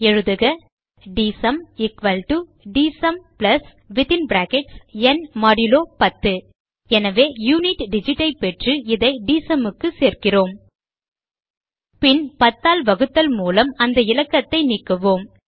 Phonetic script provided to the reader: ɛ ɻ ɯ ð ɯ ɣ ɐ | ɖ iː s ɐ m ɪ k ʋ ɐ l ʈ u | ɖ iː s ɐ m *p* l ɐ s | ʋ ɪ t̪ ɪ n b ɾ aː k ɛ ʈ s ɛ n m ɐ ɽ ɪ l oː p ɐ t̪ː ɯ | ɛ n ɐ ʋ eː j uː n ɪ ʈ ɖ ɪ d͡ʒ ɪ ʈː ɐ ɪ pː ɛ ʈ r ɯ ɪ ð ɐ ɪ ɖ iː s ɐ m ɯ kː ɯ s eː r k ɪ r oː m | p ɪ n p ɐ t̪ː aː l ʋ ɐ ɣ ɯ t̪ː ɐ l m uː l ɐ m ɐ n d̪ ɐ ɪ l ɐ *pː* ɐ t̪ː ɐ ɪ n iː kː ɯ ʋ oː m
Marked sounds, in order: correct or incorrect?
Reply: correct, incorrect

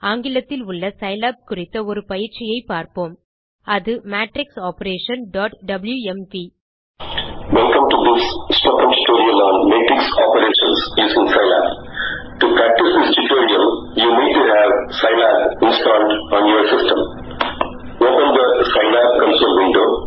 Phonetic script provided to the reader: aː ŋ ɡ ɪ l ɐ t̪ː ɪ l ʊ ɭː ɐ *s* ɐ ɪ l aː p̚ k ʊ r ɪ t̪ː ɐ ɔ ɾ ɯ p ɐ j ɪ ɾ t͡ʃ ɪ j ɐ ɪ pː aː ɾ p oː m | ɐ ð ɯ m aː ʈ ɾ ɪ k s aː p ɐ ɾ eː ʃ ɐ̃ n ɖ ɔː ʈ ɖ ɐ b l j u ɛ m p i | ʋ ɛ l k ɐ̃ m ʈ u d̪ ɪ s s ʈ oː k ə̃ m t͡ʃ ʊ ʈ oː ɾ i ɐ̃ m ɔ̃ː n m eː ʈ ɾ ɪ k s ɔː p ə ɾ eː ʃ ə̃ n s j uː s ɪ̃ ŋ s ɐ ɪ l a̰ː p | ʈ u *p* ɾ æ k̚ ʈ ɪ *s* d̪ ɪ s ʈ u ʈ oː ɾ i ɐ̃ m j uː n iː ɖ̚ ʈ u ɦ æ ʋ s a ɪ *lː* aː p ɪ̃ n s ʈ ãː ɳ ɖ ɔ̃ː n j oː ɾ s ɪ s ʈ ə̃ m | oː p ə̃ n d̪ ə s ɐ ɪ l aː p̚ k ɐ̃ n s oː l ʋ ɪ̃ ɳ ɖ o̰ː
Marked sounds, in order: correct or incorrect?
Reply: correct, correct, correct, incorrect

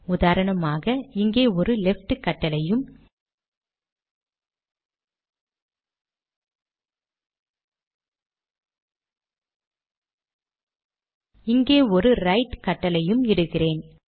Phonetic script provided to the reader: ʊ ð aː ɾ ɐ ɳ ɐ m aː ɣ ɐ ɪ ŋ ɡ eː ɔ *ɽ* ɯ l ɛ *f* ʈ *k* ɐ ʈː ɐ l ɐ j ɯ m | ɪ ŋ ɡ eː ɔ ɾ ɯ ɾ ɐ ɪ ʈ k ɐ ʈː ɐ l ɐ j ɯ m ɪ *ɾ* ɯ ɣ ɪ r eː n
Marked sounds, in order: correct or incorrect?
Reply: incorrect, correct, correct, incorrect

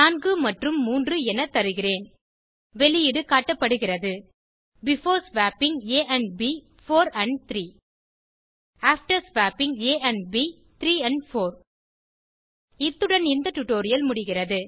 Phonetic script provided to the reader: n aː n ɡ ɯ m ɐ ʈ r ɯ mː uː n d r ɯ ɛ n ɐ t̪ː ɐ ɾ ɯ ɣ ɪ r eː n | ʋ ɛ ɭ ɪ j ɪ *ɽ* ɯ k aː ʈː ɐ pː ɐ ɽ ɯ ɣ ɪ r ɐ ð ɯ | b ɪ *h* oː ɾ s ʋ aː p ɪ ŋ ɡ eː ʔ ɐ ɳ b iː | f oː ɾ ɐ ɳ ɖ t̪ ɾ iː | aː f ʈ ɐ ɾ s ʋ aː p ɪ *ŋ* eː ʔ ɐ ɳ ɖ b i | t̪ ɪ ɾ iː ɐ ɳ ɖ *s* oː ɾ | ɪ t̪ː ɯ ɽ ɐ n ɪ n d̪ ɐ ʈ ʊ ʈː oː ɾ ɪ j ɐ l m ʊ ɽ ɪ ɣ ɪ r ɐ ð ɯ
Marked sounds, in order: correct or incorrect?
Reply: correct, incorrect, correct, incorrect

